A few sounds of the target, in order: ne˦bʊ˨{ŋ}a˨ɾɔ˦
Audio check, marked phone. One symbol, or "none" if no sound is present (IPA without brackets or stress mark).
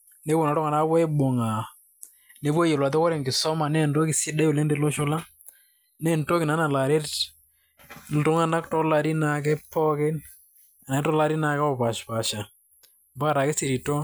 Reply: n